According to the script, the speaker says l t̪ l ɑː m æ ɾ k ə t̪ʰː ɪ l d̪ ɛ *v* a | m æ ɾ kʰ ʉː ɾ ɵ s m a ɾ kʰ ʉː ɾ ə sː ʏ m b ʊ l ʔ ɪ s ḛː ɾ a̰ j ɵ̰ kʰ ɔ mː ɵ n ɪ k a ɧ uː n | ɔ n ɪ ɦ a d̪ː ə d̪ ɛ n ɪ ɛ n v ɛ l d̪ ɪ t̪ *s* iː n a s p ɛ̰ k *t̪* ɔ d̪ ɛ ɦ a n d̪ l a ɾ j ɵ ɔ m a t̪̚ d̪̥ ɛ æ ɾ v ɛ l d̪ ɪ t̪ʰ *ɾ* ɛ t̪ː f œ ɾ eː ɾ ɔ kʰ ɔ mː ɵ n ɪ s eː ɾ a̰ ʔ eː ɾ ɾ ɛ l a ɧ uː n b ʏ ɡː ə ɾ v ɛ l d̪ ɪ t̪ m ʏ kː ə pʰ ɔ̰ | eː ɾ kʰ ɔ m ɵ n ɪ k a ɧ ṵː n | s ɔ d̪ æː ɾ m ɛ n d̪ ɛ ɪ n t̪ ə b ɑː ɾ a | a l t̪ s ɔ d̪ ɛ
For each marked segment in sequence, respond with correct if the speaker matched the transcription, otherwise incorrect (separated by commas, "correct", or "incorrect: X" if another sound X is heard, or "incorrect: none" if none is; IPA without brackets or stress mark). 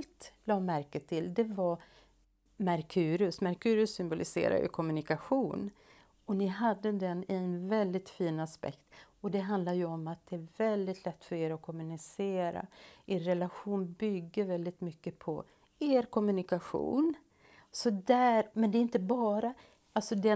correct, incorrect: f, correct, incorrect: l